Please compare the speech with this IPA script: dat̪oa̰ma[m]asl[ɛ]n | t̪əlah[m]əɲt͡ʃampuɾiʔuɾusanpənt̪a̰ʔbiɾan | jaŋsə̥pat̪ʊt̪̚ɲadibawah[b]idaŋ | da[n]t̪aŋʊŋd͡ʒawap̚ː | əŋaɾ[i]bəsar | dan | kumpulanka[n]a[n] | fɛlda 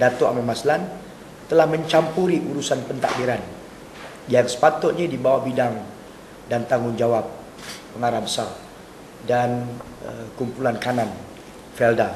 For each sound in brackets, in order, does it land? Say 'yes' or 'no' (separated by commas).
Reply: yes, no, yes, yes, yes, no, yes, yes